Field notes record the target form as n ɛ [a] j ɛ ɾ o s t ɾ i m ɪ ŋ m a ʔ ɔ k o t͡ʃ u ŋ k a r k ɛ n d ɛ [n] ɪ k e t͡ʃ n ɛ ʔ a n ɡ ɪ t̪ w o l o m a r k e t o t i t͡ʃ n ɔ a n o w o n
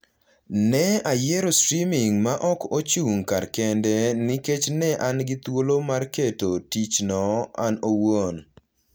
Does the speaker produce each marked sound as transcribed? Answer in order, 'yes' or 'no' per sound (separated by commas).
yes, yes